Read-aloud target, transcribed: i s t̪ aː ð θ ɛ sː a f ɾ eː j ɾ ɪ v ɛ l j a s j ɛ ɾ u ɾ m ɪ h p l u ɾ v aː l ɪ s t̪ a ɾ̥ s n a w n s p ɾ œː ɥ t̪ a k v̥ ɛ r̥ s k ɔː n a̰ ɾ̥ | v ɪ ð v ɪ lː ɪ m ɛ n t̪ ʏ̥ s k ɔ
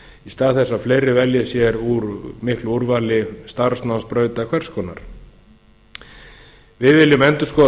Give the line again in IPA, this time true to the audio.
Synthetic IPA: i s t̪ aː ð θ ɛ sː a f l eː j ɾ ɪ v ɛ l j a s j ɛ ɾ u ɾ m ɪ h k l u ɾ v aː l ɪ s t̪ a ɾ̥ s n a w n s p ɾ œː ɥ t̪ a kʰ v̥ ɛ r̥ s k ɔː n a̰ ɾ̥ | v ɪ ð v ɪ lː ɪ m ɛ n t̪ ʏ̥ s k ɔ